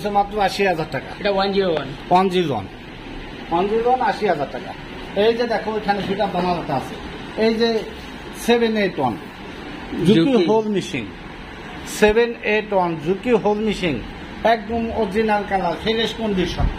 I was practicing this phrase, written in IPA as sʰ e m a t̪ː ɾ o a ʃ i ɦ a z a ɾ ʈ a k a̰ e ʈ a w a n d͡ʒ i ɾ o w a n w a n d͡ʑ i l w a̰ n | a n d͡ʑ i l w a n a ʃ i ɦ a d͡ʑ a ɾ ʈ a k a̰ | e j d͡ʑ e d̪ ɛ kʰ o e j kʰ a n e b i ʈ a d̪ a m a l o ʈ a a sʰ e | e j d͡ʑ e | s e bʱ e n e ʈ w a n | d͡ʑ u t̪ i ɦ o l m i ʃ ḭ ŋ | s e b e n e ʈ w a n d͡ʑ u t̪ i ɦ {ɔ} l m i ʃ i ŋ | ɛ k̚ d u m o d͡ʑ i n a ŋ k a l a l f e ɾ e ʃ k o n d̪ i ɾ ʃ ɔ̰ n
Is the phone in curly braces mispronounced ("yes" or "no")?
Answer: yes